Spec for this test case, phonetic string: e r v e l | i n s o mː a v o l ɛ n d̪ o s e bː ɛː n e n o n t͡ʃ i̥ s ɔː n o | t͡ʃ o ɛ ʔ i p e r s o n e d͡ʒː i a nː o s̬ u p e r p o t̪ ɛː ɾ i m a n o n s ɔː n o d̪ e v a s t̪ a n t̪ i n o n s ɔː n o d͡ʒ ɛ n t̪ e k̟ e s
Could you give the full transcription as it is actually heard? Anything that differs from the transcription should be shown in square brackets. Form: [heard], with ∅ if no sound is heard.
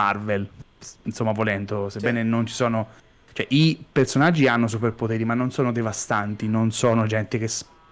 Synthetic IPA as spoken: [a] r v e l | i n s o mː a v o l ɛ n d̪ o s e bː ɛː n e n o n t͡ʃ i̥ s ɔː n o | t͡ʃ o ɛ ʔ i p e r s o n [a] d͡ʒː i a nː o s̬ u p e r p o t̪ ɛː ɾ i m a [nː] o n s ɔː n o d̪ e v a s t̪ a n t̪ i n o n s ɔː n o d͡ʒ ɛ n t̪ e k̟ e s